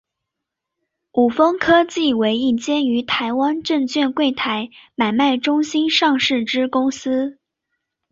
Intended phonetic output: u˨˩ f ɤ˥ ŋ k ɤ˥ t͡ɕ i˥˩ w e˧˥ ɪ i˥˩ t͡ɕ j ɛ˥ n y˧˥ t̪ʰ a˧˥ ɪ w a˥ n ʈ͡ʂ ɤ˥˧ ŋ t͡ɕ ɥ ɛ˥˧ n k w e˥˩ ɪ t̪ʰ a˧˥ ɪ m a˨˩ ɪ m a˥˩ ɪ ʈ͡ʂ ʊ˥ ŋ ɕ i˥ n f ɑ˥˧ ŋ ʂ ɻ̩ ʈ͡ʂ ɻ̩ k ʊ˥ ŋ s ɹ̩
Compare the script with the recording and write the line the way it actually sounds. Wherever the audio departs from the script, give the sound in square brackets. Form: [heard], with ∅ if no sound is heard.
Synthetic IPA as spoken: u˨˩ f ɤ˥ ŋ [kʰ] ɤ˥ t͡ɕ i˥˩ w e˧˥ ɪ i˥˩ t͡ɕ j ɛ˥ n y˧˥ t̪ʰ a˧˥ ɪ w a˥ n ʈ͡ʂ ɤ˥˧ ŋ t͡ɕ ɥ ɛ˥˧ n k w e˥˩ ɪ t̪ʰ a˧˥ ɪ m a˨˩ ɪ m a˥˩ ɪ ʈ͡ʂ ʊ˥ ŋ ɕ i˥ n [ʂ] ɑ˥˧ ŋ ʂ ɻ̩ ʈ͡ʂ ɻ̩ k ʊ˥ ŋ s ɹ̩